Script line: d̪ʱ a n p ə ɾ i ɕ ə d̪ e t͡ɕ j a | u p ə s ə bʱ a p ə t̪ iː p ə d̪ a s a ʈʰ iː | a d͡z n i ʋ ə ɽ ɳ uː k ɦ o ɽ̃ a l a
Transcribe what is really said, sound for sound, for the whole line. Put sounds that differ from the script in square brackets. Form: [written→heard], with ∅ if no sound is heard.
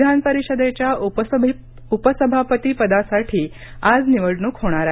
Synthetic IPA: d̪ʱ a n p ə ɾ i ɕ ə d̪ e t͡ɕ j a | u p ə s ə bʱ a p ə t̪ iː p ə d̪ a s a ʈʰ iː | a d͡z n i ʋ ə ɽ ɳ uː k ɦ o ɽ̃ a [l→ɾ] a